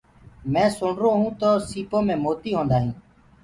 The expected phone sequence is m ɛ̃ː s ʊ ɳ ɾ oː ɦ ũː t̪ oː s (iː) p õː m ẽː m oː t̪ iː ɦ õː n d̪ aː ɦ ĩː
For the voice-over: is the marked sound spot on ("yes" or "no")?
yes